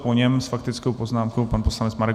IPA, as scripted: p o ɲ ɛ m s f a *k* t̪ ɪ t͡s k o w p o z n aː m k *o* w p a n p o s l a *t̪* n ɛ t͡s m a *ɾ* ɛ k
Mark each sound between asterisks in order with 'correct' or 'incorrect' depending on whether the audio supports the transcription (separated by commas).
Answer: correct, correct, incorrect, correct